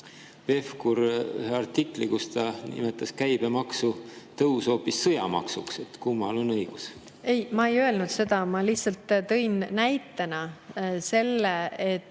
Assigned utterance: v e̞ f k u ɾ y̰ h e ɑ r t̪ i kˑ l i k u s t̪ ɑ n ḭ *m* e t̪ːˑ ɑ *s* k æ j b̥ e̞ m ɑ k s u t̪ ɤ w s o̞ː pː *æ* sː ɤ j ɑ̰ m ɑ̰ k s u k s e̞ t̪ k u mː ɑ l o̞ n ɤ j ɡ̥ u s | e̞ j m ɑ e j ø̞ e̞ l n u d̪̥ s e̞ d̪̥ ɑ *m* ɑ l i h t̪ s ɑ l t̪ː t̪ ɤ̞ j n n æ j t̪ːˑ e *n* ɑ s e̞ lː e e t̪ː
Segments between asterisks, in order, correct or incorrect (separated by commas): correct, correct, incorrect, correct, correct